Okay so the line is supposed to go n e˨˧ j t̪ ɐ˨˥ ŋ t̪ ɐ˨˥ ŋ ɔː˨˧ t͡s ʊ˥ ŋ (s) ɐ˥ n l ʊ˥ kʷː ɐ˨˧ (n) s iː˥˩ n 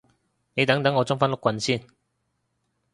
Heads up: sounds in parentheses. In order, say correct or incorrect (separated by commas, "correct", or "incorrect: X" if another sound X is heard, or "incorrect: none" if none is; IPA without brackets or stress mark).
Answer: incorrect: f, correct